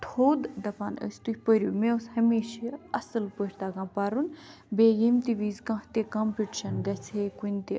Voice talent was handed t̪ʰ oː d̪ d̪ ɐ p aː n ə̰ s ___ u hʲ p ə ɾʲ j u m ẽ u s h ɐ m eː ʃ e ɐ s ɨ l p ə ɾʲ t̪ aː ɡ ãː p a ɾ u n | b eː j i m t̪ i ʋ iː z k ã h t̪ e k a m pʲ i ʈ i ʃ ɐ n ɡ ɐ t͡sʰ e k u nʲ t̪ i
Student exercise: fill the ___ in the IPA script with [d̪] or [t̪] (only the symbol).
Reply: t̪